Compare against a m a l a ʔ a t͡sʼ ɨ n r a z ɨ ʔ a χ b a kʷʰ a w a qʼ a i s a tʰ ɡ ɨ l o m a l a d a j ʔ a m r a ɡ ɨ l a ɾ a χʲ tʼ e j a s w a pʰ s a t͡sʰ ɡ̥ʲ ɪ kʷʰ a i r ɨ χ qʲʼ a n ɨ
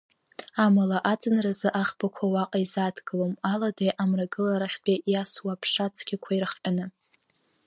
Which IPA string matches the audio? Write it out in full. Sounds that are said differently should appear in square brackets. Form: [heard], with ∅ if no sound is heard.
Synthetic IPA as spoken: a m a l a ʔ a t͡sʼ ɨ n r a z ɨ ʔ a χ b a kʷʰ a w a qʼ a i [z] a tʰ ɡ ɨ l o m a l a d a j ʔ a m r a ɡ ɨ l a ɾ a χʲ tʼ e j a s w a pʰ [ʂ] a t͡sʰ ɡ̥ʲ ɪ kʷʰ a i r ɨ χ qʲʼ a n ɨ